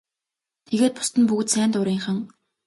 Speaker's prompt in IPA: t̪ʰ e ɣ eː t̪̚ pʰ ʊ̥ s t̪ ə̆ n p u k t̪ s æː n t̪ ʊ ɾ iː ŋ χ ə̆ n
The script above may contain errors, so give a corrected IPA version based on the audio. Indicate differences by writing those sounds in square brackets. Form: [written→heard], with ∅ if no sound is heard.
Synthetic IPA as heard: t̪ʰ e ɣ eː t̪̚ [pʰ→p] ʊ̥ s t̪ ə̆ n p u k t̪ s æː n t̪ ʊ ɾ iː ŋ χ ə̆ [n→ŋ]